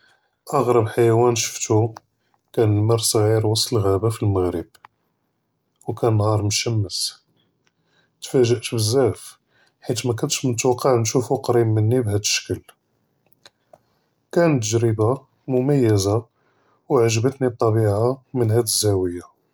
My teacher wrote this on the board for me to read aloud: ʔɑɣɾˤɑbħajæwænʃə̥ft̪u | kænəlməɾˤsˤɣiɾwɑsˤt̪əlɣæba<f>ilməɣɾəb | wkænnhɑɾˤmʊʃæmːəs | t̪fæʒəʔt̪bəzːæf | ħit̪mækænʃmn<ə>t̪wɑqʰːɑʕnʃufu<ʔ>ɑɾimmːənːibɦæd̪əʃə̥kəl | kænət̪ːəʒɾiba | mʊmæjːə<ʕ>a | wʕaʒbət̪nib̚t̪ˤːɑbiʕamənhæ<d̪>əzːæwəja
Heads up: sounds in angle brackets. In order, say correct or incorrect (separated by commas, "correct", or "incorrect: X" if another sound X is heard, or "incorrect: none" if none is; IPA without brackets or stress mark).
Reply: correct, correct, incorrect: q, incorrect: z, correct